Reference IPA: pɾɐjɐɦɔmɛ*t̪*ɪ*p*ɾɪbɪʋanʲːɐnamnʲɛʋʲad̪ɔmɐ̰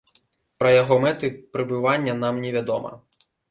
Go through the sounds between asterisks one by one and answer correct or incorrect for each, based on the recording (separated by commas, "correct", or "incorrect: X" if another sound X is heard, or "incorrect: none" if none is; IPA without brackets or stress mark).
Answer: correct, correct